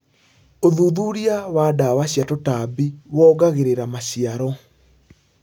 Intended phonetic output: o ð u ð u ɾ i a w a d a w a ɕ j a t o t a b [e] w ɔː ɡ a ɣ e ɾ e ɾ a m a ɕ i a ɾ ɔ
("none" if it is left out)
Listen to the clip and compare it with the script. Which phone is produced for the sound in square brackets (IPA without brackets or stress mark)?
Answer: i